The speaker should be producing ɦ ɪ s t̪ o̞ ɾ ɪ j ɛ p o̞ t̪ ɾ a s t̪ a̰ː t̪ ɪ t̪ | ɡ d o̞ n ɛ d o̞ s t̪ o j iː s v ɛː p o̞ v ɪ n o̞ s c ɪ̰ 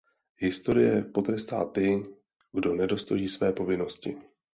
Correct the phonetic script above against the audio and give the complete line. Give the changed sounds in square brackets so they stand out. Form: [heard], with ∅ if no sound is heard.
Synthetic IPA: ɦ ɪ s t̪ o̞ ɾ ɪ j ɛ p o̞ t̪ ɾ [ɛ] s t̪ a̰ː t̪ ɪ [∅] | ɡ d o̞ n ɛ d o̞ s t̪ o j iː s v ɛː p o̞ v ɪ n o̞ s c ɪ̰